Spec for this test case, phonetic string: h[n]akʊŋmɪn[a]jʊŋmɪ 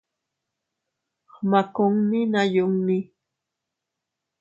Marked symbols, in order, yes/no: no, yes

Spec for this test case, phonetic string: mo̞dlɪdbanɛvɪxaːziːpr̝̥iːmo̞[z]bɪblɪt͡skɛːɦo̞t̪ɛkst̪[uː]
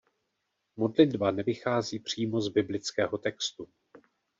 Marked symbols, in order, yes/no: yes, no

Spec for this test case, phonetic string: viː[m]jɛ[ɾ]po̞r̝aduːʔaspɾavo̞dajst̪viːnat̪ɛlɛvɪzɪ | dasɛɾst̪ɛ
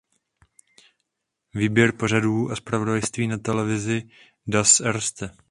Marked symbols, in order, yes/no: no, yes

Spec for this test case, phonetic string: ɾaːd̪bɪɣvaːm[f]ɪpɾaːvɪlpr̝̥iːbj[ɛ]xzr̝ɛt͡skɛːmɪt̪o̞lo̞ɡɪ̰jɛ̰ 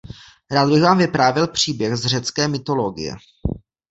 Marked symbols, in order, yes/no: no, yes

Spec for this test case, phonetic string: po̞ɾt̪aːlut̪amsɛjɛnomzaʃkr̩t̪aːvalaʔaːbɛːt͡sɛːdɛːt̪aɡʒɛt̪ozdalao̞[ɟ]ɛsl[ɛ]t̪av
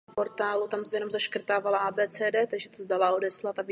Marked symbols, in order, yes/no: no, no

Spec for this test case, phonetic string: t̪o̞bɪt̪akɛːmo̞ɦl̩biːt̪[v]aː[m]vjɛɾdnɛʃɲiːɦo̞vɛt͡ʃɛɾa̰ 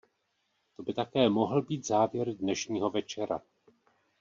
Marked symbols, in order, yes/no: no, no

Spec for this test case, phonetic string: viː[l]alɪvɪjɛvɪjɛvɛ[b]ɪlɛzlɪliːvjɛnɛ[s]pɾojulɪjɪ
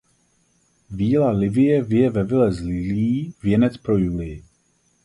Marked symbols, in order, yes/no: yes, no, no

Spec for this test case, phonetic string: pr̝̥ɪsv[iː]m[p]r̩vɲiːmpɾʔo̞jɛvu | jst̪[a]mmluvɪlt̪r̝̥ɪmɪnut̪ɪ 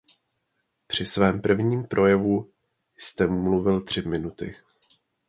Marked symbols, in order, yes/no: no, yes, no

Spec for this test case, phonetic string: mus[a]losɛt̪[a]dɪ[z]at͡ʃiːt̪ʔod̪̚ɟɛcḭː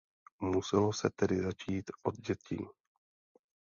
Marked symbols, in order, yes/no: no, no, yes

